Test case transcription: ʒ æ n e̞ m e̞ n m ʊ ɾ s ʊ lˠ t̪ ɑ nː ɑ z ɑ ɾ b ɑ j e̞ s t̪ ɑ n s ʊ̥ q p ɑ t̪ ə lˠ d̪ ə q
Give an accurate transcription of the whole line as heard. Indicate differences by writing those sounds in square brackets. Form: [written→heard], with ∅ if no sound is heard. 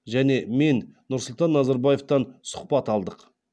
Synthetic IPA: ʒ æ n e̞ m e̞ n [m→n] ʊ ɾ s ʊ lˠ t̪ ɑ nː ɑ z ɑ ɾ b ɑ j e̞ [s→f] t̪ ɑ n s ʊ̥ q p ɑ t̪ [ə→ɑ] lˠ d̪ ə q